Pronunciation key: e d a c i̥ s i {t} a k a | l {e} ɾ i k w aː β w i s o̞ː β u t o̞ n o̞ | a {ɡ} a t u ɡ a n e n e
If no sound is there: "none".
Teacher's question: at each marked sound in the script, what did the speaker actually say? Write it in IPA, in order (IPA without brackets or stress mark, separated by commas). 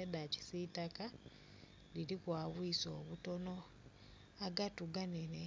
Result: t, i, ɡ